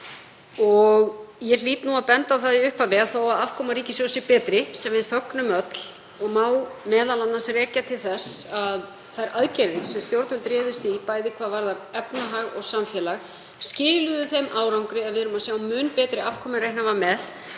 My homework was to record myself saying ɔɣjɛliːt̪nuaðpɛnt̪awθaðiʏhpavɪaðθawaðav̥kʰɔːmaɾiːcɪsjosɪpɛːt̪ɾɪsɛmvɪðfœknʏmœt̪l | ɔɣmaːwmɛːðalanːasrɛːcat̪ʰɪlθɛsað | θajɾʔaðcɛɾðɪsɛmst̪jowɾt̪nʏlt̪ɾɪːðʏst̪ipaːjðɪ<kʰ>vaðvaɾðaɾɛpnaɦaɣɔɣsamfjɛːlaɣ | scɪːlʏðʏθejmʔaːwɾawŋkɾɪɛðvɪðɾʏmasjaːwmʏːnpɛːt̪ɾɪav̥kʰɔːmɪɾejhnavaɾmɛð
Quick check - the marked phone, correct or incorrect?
correct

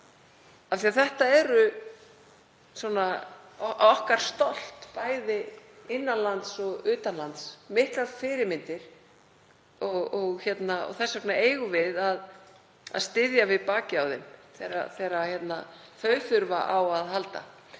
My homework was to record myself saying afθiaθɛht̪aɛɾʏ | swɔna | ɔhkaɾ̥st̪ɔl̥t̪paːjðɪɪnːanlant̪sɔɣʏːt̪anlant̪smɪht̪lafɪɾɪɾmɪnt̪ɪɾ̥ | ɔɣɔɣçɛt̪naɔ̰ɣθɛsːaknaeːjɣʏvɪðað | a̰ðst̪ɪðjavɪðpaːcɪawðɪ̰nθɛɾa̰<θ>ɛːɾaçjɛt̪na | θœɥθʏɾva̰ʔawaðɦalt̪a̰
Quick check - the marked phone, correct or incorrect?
correct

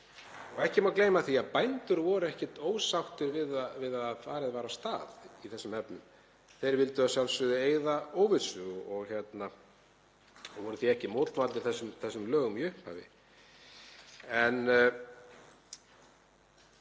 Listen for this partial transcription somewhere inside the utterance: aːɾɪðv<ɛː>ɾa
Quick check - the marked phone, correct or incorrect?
incorrect: aː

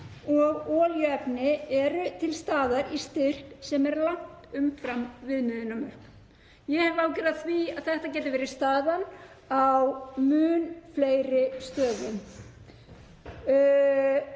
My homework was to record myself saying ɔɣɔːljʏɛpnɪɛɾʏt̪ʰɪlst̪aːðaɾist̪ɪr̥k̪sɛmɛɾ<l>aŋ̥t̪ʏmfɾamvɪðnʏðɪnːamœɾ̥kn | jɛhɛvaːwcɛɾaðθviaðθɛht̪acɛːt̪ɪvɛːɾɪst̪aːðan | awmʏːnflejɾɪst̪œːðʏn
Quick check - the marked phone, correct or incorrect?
correct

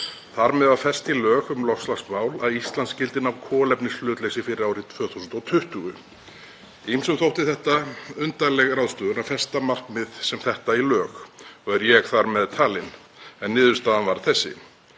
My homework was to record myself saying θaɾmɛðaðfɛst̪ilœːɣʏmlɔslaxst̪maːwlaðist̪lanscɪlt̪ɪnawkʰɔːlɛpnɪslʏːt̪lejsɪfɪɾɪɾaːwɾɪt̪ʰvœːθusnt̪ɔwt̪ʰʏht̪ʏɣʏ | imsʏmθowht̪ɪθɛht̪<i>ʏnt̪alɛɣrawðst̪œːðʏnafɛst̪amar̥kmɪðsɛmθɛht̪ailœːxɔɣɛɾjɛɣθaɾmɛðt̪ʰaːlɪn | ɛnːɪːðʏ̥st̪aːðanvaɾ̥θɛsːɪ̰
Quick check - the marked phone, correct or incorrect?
incorrect: a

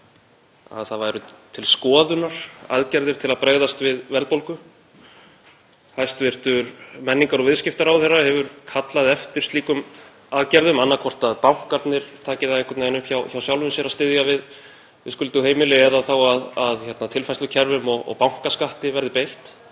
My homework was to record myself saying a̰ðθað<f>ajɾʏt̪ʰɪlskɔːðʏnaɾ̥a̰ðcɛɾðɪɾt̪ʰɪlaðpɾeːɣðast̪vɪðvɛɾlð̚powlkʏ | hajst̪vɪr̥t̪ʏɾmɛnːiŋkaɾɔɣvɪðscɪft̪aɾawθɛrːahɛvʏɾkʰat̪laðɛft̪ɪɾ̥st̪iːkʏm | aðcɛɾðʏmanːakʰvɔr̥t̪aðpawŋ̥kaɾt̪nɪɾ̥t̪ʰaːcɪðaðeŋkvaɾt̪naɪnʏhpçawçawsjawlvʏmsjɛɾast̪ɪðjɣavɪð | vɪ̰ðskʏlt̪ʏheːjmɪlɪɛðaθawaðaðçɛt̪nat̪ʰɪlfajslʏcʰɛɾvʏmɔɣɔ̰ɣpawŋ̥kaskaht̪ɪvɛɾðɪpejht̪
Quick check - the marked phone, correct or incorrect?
incorrect: v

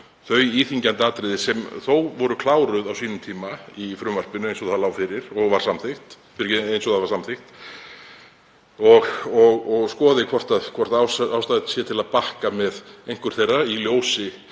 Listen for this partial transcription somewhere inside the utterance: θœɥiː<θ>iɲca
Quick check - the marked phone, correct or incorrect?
correct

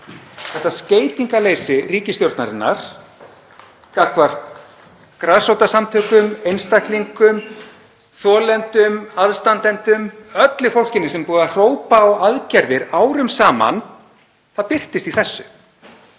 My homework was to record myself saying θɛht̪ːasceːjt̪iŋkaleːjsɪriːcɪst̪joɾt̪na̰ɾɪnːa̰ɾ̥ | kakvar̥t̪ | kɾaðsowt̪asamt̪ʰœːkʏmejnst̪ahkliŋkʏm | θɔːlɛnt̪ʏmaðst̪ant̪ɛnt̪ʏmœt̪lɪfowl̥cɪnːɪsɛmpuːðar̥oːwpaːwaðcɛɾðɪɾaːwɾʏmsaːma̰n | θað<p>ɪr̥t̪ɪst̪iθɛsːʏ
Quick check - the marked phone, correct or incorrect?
correct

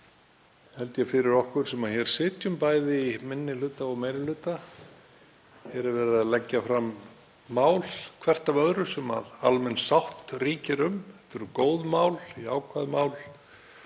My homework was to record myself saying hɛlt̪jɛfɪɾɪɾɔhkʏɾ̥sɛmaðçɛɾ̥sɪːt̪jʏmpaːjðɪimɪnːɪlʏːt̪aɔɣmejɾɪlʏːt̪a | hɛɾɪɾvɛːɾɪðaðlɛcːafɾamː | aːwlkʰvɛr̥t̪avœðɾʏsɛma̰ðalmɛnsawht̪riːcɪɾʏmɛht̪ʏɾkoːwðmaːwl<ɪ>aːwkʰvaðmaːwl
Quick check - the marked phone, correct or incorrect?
incorrect: i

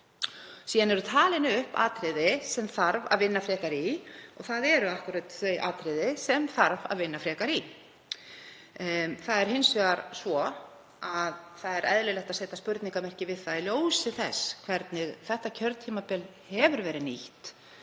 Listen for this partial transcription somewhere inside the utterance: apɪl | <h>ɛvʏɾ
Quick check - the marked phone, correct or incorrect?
correct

